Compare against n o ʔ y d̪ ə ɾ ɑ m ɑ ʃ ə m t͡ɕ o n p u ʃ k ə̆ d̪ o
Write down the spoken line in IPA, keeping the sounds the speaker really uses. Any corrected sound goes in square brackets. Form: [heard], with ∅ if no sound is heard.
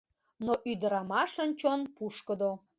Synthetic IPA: n o ʔ y d̪ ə ɾ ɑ m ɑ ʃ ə [n] t͡ɕ o n p u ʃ k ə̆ d̪ o